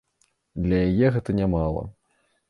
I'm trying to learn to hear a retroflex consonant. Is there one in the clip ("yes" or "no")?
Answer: no